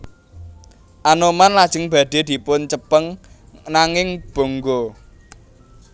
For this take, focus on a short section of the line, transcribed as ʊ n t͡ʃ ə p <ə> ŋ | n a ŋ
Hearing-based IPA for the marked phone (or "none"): ə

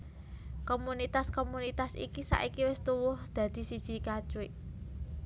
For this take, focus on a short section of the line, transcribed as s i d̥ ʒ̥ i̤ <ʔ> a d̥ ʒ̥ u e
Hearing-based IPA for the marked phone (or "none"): k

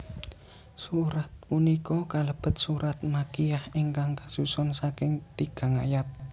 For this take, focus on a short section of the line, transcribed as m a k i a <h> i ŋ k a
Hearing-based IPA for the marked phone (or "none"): h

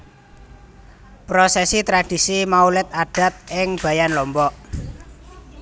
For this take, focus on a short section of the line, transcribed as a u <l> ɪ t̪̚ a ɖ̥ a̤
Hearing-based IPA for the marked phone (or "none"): l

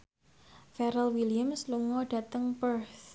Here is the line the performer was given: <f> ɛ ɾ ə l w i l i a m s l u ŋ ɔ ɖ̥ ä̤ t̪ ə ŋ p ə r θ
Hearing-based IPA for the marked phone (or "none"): f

